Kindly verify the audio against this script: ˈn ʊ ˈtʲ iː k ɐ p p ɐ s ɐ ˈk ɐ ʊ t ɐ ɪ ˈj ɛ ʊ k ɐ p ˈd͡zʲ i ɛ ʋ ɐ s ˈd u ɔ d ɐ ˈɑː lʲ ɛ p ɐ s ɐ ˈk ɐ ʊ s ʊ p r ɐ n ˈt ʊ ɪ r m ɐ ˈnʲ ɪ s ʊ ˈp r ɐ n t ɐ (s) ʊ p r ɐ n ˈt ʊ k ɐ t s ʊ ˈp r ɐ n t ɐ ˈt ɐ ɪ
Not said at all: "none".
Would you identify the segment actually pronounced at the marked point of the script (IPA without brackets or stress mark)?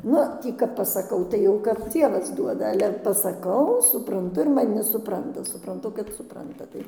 s